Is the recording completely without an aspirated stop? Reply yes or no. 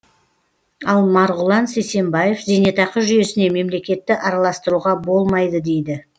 yes